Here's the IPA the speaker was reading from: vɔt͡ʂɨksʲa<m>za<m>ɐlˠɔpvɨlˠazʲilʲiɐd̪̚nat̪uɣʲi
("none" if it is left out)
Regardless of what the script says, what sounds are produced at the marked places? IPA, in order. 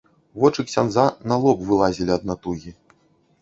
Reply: n, n

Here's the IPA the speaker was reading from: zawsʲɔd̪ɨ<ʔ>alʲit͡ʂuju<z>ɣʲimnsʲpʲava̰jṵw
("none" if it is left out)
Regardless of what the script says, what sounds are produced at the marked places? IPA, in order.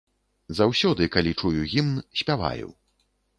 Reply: k, none

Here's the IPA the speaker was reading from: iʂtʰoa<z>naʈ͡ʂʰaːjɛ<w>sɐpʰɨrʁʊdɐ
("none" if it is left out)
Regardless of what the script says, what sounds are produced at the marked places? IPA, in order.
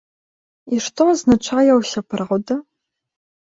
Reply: z, w

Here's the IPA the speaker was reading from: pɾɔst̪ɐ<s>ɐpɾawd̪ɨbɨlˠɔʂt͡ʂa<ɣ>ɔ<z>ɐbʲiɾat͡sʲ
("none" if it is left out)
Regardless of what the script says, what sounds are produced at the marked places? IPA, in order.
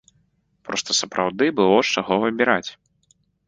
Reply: s, ɣ, v

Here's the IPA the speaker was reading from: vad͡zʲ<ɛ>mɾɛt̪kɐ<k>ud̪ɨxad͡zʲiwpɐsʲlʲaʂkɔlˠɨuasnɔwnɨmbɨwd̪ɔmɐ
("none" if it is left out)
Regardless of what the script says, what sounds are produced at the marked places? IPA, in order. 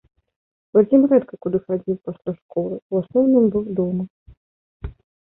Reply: i, k

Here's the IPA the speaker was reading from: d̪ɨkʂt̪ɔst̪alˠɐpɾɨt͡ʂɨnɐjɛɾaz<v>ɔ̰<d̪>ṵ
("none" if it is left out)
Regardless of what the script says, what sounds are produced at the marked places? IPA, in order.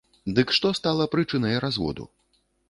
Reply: v, d̪

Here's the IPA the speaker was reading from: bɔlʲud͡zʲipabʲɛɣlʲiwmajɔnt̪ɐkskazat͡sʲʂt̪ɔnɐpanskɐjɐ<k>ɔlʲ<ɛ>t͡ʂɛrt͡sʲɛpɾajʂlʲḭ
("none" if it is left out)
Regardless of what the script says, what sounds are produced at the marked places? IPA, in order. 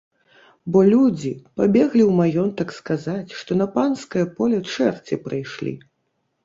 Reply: p, ɛ

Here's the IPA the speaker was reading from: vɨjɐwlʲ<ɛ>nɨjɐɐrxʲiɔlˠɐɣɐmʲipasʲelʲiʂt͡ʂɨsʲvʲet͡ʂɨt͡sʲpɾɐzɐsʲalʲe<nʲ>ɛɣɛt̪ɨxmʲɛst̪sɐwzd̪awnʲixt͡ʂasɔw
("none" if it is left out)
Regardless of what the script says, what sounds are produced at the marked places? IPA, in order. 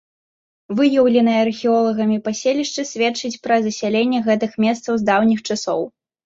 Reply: ɛ, nʲː

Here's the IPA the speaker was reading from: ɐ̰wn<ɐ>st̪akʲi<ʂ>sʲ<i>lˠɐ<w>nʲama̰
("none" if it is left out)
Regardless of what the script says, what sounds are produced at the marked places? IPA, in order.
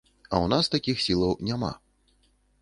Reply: a, x, i, w

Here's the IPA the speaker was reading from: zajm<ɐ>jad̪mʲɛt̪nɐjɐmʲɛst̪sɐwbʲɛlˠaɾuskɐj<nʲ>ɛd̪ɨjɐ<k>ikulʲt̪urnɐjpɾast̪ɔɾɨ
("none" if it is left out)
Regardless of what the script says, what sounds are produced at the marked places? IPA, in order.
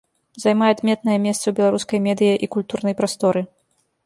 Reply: a, mʲ, ʔ

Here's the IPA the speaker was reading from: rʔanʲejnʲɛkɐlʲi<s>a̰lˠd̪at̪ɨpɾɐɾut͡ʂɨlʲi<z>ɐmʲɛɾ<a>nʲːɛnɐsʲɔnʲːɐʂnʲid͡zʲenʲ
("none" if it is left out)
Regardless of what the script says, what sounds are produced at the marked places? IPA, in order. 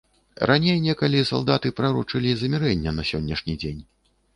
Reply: s, z, ɛ

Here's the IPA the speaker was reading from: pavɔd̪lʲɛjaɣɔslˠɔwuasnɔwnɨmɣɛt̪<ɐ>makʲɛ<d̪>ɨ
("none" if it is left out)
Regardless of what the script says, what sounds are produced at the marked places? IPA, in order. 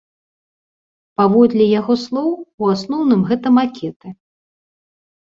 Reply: ɐ, t̪

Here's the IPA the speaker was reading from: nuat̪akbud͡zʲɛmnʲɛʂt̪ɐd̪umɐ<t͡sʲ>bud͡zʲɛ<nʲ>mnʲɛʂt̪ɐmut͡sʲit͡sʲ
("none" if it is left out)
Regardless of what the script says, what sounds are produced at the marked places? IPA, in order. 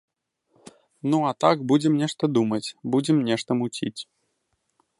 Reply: t͡sʲ, none

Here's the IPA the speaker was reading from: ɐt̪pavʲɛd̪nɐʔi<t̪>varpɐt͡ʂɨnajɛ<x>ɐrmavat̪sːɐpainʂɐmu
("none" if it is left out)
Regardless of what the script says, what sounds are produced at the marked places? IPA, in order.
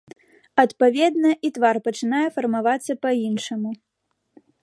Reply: t̪, f

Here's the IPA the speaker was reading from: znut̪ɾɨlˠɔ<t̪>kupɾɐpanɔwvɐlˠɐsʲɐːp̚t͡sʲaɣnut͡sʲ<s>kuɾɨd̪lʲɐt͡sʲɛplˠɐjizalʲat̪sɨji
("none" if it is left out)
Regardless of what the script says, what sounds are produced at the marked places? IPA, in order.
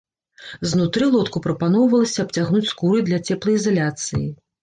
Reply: t̪, s

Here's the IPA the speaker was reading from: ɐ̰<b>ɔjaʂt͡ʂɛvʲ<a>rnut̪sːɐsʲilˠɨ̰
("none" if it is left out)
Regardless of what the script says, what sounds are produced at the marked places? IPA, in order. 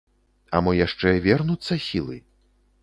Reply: m, ɛ

